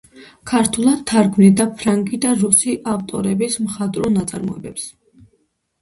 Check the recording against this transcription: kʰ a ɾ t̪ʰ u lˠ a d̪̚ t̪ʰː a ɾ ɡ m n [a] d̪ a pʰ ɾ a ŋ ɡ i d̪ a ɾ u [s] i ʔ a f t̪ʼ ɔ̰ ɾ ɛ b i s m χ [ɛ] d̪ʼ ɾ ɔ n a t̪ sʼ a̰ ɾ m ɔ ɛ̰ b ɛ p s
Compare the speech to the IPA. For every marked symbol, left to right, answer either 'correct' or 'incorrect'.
incorrect, correct, incorrect

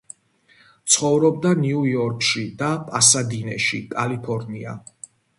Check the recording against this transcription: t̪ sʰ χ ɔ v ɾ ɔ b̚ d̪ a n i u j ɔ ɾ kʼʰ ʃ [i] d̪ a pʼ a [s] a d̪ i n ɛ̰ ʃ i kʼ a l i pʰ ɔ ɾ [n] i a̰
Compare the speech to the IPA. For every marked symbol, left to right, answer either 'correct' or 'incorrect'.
correct, correct, correct

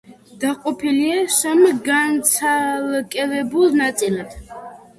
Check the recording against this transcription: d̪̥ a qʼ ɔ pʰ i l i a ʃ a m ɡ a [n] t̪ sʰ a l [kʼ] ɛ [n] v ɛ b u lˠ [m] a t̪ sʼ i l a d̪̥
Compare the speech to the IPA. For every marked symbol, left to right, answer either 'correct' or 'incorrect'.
correct, correct, incorrect, incorrect

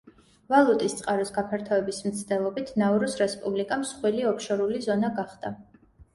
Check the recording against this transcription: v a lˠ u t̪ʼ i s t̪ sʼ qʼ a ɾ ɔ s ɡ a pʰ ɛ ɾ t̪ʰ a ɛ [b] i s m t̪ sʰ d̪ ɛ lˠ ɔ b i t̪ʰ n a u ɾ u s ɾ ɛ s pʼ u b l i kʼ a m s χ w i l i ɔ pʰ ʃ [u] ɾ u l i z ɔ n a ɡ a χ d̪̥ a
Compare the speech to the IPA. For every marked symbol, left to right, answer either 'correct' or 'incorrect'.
correct, incorrect

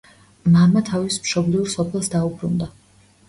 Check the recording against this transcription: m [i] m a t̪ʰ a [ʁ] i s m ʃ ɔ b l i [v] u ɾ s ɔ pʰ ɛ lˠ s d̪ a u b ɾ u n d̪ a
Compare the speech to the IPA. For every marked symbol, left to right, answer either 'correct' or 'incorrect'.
incorrect, incorrect, incorrect

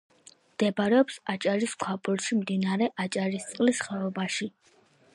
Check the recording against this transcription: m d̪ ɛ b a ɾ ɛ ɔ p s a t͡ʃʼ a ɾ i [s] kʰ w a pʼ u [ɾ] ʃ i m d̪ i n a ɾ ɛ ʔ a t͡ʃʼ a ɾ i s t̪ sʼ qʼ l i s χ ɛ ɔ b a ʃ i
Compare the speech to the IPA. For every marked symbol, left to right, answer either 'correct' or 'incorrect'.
correct, correct

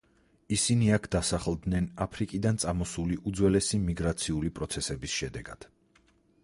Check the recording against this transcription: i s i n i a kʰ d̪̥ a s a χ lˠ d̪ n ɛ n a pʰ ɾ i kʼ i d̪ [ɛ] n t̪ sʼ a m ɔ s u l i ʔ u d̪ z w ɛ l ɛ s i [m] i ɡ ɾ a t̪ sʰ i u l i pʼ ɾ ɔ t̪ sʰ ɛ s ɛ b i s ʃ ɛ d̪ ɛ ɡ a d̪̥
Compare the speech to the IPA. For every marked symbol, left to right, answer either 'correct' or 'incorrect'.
incorrect, correct

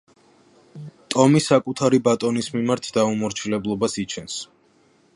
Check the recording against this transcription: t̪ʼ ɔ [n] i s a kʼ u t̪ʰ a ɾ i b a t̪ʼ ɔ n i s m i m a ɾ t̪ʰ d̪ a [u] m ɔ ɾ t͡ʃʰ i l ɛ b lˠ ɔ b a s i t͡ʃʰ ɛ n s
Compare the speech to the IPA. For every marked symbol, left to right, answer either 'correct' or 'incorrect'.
incorrect, correct

